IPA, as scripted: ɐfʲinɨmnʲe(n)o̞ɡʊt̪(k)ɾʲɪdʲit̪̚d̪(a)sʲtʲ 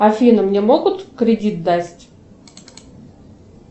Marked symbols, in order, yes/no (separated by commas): no, yes, yes